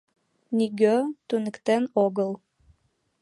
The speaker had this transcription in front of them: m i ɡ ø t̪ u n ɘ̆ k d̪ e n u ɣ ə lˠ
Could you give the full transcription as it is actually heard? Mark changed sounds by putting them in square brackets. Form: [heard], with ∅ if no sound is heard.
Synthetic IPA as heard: [n] i ɡ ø t̪ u n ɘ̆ k [t̪] e n [o] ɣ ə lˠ